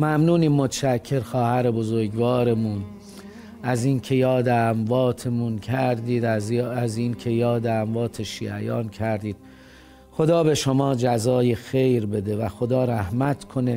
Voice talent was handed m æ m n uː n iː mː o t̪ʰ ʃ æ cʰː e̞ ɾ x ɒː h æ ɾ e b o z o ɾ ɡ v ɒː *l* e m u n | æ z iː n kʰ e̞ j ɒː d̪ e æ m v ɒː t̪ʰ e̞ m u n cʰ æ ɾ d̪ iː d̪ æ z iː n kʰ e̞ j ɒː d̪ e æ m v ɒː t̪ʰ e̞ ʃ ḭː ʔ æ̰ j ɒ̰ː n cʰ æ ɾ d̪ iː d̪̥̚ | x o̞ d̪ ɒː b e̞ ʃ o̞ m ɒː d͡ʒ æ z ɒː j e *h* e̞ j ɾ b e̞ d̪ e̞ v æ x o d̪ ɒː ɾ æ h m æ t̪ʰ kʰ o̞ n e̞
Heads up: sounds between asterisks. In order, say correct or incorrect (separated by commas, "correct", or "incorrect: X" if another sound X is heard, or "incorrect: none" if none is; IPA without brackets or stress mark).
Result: incorrect: ɾ, incorrect: x